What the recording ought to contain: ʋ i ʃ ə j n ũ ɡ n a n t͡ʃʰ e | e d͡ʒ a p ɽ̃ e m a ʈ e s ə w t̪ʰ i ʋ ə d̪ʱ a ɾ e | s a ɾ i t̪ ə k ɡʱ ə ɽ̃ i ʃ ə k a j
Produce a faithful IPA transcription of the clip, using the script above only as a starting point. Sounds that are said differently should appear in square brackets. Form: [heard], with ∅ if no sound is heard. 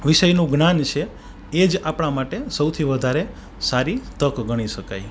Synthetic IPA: ʋ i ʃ ə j n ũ ɡ n a n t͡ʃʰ e | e d͡ʒ a p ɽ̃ [a] m a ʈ e s ə w t̪ʰ i ʋ ə d̪ʱ a ɾ e | s a ɾ i t̪ ə k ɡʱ ə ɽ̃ i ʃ ə k a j